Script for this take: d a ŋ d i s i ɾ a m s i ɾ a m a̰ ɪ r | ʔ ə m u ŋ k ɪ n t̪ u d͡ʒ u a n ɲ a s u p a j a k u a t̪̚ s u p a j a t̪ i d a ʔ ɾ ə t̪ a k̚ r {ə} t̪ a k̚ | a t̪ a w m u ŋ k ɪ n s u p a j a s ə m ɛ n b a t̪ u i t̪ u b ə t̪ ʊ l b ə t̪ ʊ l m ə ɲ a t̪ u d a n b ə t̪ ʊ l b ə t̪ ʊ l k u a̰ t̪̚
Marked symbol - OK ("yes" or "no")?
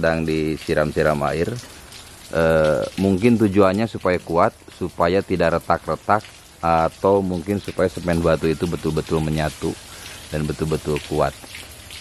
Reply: yes